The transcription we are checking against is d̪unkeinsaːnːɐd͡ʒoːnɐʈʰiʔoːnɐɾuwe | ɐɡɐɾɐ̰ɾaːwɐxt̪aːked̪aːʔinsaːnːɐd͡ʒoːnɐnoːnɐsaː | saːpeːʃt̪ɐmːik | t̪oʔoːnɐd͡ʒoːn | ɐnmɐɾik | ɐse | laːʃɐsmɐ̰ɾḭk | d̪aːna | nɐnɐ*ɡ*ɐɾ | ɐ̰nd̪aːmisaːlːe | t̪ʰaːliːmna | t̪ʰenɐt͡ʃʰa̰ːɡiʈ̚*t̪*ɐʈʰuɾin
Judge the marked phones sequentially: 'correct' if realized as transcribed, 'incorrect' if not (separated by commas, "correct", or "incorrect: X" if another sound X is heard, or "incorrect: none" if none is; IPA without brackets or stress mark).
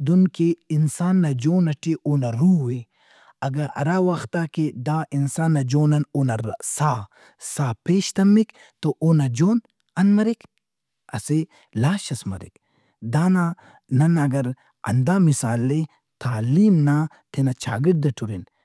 correct, incorrect: d̪